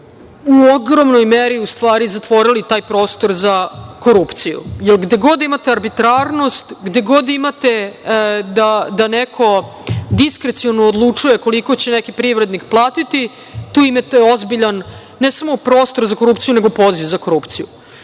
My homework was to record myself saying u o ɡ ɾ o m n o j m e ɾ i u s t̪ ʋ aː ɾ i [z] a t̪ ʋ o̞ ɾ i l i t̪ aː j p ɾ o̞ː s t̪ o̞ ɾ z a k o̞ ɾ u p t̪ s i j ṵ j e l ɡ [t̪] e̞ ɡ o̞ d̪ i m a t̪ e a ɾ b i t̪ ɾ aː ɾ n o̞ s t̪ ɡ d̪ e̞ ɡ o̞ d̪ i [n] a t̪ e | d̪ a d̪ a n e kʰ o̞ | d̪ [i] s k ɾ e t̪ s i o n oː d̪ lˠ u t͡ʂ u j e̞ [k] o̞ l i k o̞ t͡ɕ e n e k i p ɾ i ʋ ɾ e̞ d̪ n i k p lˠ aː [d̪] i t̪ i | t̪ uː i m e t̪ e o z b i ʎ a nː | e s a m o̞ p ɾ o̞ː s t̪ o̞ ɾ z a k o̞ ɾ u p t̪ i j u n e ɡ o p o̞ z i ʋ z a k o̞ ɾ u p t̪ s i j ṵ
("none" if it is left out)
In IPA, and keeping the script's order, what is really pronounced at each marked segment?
z, d̪, m, i, k, t̪

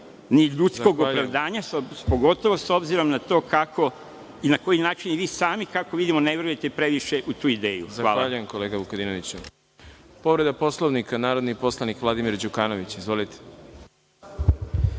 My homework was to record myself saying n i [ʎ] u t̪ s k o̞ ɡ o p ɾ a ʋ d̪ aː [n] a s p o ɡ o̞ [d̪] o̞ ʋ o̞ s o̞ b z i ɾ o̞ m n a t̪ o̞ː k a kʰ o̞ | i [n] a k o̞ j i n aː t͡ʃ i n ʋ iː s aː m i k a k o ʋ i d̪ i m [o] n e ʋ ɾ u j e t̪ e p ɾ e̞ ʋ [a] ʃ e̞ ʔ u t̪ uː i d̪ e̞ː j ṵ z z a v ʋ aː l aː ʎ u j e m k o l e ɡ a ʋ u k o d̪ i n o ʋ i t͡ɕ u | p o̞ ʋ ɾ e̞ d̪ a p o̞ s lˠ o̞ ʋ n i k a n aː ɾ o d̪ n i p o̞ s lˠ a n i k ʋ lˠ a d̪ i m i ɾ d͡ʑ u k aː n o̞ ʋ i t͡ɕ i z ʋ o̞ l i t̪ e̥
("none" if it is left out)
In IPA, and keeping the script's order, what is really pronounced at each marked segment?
ʎ, ɲ, t̪, n, o, i

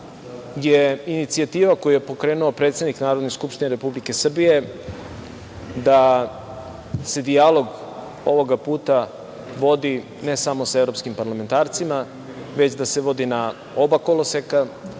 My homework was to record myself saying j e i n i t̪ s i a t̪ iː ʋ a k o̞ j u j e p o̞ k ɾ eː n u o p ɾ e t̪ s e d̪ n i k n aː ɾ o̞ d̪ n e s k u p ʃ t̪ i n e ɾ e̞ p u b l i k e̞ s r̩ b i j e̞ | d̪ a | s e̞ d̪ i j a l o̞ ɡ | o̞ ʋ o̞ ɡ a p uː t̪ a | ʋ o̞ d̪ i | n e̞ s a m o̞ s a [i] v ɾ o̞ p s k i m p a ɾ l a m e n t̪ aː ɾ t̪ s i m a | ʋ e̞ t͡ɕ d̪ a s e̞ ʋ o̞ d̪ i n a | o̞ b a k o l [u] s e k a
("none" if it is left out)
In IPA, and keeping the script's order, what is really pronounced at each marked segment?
e, o

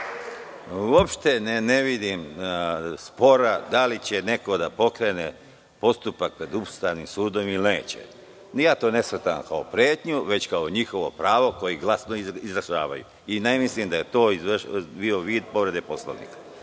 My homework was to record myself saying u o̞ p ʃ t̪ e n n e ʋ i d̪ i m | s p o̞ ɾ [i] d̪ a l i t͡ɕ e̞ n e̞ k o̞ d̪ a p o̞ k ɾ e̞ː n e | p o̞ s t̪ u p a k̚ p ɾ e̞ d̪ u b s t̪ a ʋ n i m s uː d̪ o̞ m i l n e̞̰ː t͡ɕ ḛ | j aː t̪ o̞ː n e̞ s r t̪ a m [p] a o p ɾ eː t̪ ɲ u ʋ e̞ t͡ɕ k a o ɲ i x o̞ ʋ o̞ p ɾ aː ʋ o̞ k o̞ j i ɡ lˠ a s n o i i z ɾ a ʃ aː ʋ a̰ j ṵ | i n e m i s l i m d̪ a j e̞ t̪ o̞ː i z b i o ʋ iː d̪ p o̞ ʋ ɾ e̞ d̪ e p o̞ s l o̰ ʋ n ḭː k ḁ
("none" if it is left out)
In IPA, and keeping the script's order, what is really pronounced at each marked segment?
a, k

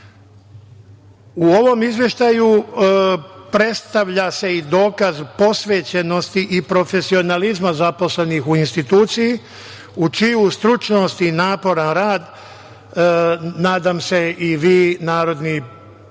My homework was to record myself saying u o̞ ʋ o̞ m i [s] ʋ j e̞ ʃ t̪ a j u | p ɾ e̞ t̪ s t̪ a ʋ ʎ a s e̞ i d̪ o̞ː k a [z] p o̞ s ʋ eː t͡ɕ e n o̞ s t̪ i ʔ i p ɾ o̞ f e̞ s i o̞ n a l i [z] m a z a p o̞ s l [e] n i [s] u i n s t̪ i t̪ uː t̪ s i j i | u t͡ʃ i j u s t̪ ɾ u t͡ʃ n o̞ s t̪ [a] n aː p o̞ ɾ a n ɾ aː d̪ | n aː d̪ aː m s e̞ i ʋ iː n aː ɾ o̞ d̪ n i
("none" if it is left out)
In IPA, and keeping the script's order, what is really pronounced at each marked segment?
z, z, z, e, x, i

